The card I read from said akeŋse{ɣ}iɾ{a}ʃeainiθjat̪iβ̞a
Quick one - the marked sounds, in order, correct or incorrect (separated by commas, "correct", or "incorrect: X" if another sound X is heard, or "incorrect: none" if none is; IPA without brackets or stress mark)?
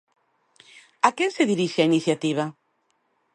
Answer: incorrect: ð, incorrect: i